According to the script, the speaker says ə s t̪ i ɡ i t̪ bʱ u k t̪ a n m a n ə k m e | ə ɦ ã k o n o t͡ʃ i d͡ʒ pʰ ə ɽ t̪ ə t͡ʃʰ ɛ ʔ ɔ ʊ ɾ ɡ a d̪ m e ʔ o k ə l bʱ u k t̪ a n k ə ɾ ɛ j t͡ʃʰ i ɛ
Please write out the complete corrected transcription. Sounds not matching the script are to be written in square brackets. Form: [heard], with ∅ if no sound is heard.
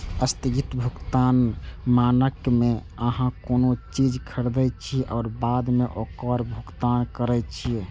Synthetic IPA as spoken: ə s t̪ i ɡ i t̪ bʱ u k t̪ a n m a n ə k m e | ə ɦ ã k o n o t͡ʃ i d͡ʒ [kʰ] ə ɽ [d̪] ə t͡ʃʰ [i] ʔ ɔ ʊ ɾ [b] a d̪ m e ʔ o k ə [ɾ] bʱ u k t̪ a n k ə ɾ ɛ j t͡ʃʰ i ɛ

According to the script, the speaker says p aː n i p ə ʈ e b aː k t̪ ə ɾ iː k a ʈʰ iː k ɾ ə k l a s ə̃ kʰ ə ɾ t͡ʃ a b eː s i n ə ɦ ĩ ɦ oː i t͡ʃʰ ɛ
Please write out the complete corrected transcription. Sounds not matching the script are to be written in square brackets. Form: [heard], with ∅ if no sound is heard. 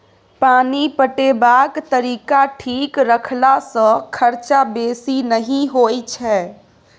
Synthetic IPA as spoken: p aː n i p ə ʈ e b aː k t̪ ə ɾ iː k a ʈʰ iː k ɾ ə [kʰ] l a s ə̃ kʰ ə ɾ t͡ʃ a b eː s i n ə ɦ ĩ ɦ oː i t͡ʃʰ ɛ

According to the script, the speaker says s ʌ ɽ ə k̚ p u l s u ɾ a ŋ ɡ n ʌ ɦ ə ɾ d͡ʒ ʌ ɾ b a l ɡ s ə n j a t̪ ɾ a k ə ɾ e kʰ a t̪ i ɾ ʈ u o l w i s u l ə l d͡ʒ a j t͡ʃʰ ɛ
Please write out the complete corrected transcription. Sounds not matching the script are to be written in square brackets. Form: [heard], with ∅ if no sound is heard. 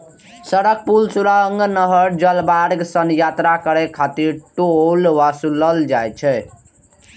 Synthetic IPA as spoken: s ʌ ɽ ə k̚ p u l s u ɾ a ŋ ɡ n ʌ ɦ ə ɾ d͡ʒ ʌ [l] b a [ɾ] ɡ s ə n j a t̪ ɾ a k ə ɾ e kʰ a t̪ i ɾ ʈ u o l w [a] s u l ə l d͡ʒ a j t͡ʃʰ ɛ

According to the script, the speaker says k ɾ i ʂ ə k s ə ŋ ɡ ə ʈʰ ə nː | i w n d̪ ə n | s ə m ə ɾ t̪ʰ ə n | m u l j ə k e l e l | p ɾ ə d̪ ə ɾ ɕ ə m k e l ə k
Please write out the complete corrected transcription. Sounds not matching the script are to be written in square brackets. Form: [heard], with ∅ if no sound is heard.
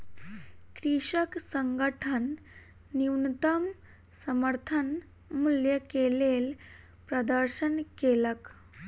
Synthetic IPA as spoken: k ɾ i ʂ ə k s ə ŋ ɡ ə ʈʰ ə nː | i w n [t̪] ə [m] | s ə m ə ɾ t̪ʰ ə n | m u l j ə k e l e l | p ɾ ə d̪ ə ɾ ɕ ə [n] k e l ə k

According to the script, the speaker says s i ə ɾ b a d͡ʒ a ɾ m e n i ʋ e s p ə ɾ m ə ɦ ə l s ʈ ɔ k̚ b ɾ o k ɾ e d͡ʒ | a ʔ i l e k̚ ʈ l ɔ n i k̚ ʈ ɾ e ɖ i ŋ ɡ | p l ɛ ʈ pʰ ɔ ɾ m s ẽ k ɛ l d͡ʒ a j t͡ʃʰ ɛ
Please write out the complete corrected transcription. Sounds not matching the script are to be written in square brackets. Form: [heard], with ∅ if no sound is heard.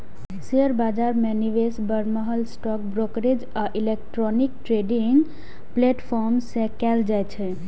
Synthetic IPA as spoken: s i ə ɾ b a d͡ʒ a ɾ m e n i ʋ e s [b] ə ɾ m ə ɦ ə l s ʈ ɔ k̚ b ɾ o k ɾ e d͡ʒ | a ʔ i l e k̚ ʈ [ɾ] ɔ n i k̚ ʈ ɾ e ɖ i ŋ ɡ | p l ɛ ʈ pʰ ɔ ɾ m s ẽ k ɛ l d͡ʒ a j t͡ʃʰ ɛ

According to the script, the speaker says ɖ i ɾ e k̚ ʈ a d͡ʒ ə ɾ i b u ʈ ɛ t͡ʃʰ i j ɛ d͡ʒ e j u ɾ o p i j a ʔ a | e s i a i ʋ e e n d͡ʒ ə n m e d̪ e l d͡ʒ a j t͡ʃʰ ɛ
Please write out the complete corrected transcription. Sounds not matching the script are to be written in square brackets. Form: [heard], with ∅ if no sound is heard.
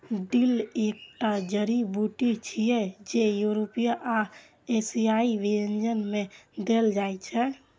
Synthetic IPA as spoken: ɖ i [l] e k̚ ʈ a d͡ʒ ə ɾ i b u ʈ [i] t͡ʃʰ i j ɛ d͡ʒ e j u ɾ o p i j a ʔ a | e s i a i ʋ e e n d͡ʒ ə n m e d̪ e l d͡ʒ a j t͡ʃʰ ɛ

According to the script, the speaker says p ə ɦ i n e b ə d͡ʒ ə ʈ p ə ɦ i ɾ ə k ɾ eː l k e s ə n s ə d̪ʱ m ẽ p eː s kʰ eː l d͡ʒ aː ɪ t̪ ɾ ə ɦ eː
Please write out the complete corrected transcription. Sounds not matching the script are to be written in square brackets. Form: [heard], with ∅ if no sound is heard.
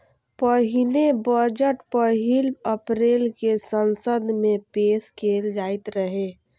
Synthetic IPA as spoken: p ə ɦ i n e b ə d͡ʒ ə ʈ p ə ɦ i [l] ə [p] ɾ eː l k e s ə n s ə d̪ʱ m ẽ p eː s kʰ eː l d͡ʒ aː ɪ t̪ ɾ ə ɦ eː

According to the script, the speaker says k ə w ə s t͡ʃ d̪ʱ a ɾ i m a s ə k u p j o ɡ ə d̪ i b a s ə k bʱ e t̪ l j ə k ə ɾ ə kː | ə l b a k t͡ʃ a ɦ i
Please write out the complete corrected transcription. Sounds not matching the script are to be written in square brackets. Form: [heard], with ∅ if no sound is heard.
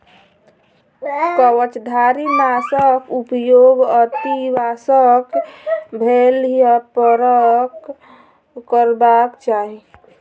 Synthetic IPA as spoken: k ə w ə [∅] t͡ʃ d̪ʱ a ɾ i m a s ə k u p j o ɡ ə [t̪] i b a s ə k bʱ e [∅] l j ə [p] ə ɾ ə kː | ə [ɾ] b a k t͡ʃ a ɦ i

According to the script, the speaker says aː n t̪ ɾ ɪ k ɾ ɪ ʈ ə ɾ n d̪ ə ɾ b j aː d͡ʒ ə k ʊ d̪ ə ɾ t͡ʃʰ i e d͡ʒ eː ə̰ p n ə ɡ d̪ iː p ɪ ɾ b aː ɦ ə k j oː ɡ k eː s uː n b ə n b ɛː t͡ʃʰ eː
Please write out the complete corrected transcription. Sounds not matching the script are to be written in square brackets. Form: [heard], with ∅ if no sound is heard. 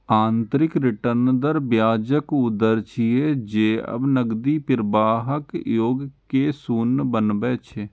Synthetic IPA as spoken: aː n t̪ ɾ ɪ k ɾ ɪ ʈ ə ɾ n d̪ ə ɾ b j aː d͡ʒ ə k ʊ d̪ ə ɾ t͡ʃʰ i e d͡ʒ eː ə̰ [b] n ə ɡ d̪ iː p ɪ ɾ b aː ɦ ə k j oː ɡ k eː s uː n b ə n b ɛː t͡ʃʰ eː

